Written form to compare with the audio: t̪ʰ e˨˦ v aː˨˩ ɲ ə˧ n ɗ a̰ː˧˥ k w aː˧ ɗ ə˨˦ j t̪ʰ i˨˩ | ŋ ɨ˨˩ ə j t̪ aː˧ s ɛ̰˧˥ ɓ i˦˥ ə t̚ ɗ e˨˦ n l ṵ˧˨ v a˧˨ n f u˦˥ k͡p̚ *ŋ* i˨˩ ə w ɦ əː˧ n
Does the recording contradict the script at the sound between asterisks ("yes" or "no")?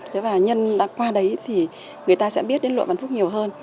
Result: yes